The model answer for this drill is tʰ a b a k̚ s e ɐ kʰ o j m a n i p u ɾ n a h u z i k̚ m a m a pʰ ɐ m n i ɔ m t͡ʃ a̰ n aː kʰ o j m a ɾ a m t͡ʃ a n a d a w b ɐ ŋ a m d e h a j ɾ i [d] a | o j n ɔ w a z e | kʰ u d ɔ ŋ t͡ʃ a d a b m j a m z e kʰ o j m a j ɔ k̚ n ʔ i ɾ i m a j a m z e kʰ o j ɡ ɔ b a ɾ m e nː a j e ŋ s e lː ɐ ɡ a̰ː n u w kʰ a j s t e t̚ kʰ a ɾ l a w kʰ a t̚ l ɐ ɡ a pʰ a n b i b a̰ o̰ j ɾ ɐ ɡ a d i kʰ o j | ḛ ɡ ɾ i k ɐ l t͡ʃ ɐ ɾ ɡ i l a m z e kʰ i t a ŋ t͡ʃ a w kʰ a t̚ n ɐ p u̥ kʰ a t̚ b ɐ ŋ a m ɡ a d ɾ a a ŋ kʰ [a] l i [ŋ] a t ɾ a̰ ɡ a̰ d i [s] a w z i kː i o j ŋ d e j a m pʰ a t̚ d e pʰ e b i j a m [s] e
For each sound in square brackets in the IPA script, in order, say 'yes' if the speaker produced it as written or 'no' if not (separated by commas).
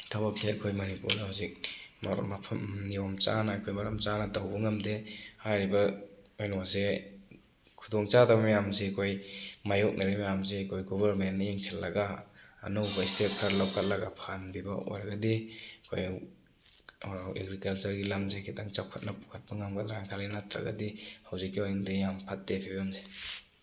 no, yes, no, no, no